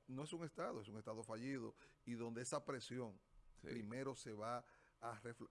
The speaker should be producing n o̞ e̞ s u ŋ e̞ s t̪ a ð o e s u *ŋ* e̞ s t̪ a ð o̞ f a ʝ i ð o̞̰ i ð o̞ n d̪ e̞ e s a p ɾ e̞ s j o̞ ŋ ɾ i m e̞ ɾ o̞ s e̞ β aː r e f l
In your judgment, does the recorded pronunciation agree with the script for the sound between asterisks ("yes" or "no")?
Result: yes